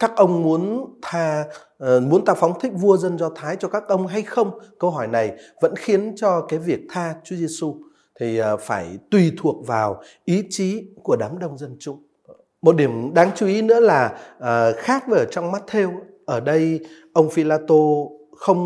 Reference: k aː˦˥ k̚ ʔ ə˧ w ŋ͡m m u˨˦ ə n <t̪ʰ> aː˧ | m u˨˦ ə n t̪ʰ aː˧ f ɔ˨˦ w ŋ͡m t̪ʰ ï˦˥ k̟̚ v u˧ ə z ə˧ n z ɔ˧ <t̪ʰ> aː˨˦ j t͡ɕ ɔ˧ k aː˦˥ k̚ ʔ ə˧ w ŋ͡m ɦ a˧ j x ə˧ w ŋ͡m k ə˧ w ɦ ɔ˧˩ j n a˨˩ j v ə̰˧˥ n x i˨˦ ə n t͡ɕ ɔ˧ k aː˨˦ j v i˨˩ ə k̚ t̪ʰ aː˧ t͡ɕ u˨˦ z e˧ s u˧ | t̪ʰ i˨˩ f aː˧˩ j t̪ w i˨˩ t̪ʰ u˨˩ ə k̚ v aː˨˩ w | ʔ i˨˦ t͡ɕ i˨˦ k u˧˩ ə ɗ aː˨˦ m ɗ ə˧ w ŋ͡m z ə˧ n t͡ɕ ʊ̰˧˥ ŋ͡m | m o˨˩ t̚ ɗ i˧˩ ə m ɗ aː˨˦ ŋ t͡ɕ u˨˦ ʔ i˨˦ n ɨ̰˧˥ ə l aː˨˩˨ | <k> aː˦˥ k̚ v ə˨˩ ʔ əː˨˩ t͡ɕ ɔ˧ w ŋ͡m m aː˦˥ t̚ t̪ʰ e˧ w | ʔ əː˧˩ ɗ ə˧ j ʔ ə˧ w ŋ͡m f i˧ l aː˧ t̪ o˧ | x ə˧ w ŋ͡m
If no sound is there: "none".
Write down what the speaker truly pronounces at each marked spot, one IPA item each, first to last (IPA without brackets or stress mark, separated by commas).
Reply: t̪ʰ, t̪ʰ, x